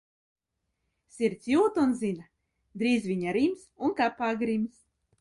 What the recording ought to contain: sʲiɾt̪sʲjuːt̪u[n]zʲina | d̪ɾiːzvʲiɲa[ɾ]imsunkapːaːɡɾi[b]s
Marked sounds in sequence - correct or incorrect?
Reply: correct, correct, incorrect: m

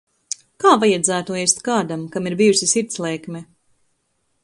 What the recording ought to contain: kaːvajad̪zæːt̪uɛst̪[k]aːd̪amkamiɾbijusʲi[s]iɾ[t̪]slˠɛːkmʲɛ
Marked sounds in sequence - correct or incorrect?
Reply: correct, correct, correct

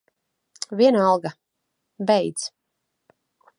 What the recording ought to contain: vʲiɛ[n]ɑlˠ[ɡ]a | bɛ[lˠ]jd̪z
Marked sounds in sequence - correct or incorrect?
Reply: correct, correct, incorrect: none

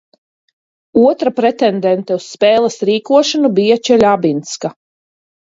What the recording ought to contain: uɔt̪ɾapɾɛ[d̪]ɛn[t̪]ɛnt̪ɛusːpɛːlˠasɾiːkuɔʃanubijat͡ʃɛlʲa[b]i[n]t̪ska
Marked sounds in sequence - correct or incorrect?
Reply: incorrect: t̪, incorrect: d̪, correct, correct

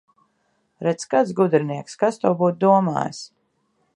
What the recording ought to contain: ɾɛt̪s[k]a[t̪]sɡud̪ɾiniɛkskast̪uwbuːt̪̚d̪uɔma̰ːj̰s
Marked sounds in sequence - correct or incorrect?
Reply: correct, correct

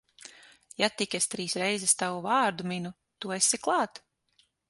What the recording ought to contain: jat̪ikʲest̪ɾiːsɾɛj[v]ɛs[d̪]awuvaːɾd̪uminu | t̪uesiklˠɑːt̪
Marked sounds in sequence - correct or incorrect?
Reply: incorrect: z, incorrect: t̪

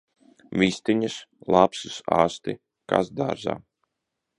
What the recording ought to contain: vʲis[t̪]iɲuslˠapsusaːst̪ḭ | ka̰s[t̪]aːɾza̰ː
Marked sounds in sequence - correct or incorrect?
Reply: correct, incorrect: d̪

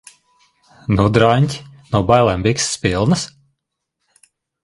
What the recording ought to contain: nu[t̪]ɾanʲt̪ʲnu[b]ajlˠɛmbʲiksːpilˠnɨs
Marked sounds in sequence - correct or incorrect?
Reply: incorrect: d̪, correct

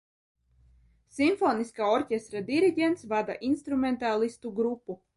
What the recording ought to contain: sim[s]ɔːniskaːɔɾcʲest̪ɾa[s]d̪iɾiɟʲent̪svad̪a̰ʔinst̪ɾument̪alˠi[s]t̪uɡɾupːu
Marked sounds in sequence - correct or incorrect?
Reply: incorrect: f, incorrect: none, correct

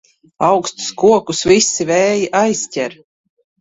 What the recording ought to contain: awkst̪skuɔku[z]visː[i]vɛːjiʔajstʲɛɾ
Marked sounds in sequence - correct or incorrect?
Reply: incorrect: s, correct

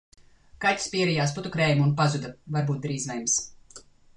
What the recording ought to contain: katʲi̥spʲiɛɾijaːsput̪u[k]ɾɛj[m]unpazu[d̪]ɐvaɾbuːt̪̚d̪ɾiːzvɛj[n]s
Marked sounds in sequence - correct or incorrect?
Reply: correct, correct, correct, incorrect: m

